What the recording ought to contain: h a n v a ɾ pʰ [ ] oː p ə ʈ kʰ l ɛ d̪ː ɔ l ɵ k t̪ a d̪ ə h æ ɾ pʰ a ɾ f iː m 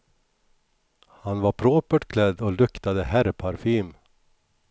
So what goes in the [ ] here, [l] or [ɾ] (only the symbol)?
ɾ